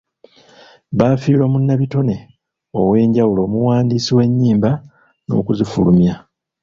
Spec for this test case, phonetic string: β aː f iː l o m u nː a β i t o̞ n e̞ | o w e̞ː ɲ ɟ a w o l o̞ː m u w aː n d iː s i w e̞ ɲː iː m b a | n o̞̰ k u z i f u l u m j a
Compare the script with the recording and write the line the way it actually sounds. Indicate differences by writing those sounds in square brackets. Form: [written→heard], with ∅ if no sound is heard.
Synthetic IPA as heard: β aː f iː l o m u nː a β i t o̞ n e̞ | o w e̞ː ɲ ɟ a w [o→u] l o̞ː m u w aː n d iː s i w e̞ ɲː iː m b a | n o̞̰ k u z i f u l u m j a